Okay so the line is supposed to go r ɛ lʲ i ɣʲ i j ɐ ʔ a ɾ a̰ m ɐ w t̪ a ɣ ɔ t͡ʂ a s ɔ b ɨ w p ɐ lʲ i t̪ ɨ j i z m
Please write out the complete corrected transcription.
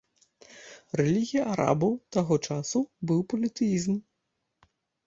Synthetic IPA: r ɛ lʲ i ɣʲ i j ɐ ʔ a ɾ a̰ b ɐ w t̪ a ɣ ɔ t͡ʂ a s u b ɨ w p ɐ lʲ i t̪ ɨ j i z m